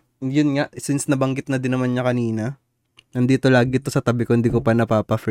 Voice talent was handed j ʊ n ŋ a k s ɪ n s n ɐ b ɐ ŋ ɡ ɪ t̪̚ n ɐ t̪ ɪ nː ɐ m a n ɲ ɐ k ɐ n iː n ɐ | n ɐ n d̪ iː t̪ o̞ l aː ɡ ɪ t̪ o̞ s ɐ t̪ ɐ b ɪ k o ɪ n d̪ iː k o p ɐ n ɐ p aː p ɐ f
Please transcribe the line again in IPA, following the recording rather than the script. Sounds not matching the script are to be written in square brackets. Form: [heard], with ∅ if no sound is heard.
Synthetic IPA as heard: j ʊ n ŋ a [ʔ] s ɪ n s n ɐ b ɐ ŋ ɡ ɪ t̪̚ n ɐ [d̪] ɪ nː ɐ m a n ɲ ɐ k ɐ n iː n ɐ | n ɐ n d̪ iː t̪ o̞ l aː ɡ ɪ t̪ o̞ s ɐ t̪ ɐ b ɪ k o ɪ n d̪ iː k o p ɐ n ɐ p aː p ɐ f